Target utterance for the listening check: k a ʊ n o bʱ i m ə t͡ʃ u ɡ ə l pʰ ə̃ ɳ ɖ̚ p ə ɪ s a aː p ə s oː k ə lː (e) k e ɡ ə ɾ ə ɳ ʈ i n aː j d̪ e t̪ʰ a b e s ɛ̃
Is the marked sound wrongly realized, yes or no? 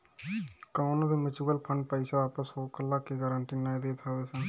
yes